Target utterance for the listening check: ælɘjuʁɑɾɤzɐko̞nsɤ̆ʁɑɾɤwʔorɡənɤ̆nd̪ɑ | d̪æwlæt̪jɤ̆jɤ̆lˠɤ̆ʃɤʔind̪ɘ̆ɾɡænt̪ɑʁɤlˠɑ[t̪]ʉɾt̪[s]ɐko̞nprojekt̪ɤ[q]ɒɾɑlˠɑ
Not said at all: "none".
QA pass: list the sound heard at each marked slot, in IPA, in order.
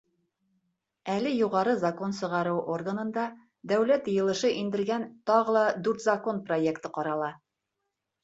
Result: d̪, z, q

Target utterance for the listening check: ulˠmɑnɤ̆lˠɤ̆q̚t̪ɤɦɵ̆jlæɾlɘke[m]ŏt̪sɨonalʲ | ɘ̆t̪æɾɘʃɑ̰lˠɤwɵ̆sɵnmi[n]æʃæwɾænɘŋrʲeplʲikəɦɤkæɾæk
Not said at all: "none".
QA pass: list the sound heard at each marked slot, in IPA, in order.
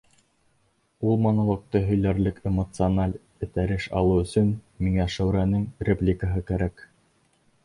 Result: m, ŋ

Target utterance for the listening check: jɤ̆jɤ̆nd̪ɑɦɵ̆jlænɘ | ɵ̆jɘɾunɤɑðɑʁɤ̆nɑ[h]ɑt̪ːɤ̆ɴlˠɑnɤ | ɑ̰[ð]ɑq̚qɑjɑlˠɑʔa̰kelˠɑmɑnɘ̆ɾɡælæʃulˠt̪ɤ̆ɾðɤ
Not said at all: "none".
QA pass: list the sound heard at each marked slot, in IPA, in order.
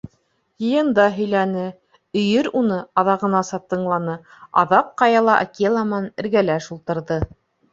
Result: s, ð

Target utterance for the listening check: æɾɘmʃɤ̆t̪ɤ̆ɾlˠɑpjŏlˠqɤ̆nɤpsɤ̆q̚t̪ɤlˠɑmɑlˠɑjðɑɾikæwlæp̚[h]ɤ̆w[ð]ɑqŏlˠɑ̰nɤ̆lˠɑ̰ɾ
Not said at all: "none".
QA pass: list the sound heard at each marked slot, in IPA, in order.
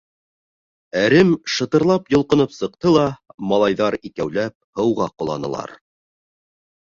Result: h, ʁ

